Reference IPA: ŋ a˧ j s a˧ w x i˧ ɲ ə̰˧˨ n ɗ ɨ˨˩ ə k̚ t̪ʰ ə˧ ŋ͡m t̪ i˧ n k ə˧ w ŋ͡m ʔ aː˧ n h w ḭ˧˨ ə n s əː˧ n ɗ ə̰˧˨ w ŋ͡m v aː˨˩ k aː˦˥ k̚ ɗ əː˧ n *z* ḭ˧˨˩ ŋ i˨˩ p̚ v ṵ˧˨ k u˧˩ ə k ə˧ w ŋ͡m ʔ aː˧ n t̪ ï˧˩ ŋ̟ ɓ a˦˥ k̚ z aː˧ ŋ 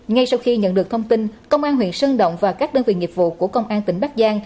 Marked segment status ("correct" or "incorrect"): incorrect